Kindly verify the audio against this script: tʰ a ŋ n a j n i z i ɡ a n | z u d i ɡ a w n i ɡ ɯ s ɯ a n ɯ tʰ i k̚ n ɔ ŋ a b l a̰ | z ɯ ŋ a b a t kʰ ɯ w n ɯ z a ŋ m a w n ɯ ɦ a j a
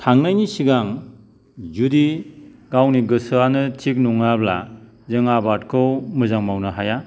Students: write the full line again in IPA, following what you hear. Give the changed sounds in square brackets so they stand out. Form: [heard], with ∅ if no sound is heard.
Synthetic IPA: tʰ a ŋ n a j n i [s] i ɡ a [ŋ] | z u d i ɡ a w n i ɡ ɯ s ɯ a n ɯ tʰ i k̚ n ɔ ŋ a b l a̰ | z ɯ ŋ a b a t kʰ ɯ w [m] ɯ z a ŋ m a w n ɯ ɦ a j a